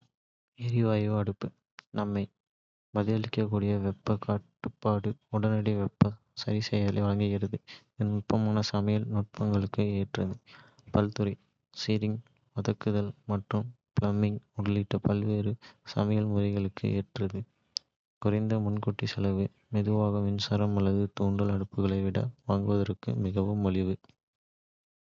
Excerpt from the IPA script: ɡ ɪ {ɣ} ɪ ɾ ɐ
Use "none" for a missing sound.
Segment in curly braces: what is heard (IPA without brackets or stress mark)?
ɣ